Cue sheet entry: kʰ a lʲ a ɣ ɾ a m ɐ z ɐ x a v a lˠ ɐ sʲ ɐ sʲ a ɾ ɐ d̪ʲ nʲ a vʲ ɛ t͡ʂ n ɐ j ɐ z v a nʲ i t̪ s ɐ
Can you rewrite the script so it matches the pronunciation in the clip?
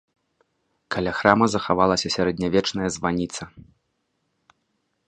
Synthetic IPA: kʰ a lʲ a x ɾ a m ɐ z ɐ x a v a lˠ ɐ sʲ ɐ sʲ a ɾ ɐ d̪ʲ nʲ a vʲ ɛ t͡ʂ n ɐ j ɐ z v a nʲ i t̪ s ɐ